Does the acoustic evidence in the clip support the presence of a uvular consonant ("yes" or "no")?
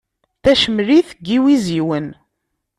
no